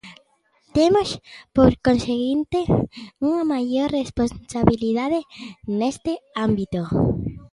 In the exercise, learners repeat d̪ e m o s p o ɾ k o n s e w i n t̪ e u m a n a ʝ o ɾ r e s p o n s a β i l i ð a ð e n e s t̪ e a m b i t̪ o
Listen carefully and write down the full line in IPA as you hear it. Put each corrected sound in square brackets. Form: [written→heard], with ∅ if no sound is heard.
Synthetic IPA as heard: [d̪→t̪] e m o s p o ɾ k o n s e [w→ɣ] i n t̪ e u [m→ŋ] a [n→m] a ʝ o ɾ r e s p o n s a β i l i ð a ð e n e s t̪ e a m b i t̪ o

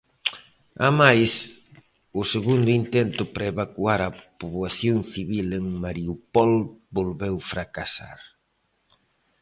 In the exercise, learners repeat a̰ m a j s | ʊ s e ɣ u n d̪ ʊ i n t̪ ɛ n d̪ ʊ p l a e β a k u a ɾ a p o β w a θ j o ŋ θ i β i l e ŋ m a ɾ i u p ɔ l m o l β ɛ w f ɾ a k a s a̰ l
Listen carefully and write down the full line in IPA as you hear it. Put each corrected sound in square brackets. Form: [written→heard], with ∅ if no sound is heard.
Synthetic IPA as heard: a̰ m a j s | ʊ s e ɣ u n d̪ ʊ i n t̪ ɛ n [d̪→t̪] ʊ p [l→ɾ] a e β a k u a ɾ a p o β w a θ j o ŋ θ i β i l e ŋ m a ɾ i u p ɔ l [m→b] o l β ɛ w f ɾ a k a s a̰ [l→ɾ]

